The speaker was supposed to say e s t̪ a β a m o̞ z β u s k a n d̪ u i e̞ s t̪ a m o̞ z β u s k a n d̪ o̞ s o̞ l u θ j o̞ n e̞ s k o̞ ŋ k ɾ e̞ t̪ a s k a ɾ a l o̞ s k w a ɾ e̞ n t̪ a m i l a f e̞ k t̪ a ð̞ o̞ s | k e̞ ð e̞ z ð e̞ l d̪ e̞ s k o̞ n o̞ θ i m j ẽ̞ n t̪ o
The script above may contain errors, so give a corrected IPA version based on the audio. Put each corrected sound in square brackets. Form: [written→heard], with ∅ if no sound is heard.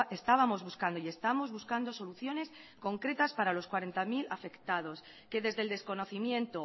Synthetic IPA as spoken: e s t̪ a β a m o̞ z β u s k a n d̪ [u→o] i e̞ s t̪ a m o̞ z β u s k a n d̪ o̞ s o̞ l u θ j o̞ n e̞ s k o̞ ŋ k ɾ e̞ t̪ a s [k→p] a ɾ a l o̞ s k w a ɾ e̞ n t̪ a m i l a f e̞ k t̪ a ð̞ o̞ s | k e̞ ð e̞ z ð e̞ l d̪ e̞ s k o̞ n o̞ θ i m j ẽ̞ n t̪ o